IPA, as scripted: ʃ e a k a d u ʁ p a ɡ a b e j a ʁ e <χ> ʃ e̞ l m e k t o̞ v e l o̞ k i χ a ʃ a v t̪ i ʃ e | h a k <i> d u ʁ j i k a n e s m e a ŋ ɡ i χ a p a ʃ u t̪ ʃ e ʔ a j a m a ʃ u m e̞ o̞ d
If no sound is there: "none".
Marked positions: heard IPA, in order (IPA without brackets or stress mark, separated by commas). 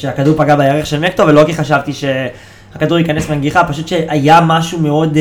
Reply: χ, a